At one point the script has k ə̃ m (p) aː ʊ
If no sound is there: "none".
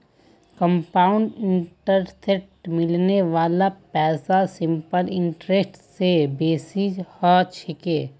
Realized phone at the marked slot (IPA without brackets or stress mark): p